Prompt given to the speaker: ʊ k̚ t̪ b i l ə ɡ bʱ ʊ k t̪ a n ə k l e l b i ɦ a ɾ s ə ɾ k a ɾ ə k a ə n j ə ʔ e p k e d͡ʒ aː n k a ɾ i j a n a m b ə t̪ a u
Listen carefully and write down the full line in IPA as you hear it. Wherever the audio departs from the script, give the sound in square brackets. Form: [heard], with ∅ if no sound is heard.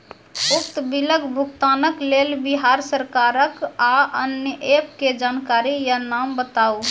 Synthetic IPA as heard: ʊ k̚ t̪ b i l ə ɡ bʱ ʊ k t̪ a n ə k l e l b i ɦ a ɾ s ə ɾ k a ɾ ə k a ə n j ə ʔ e p k e d͡ʒ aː n k a ɾ i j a n a m b ə t̪ a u